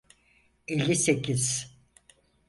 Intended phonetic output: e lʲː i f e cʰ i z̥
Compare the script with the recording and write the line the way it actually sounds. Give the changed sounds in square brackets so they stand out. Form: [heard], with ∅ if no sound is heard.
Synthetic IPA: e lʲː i [s] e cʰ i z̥

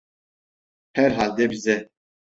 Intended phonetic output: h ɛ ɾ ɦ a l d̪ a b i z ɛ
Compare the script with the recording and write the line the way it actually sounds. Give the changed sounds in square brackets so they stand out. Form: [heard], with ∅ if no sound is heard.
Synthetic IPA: h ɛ ɾ ɦ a l d̪ [ɛ] b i z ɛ

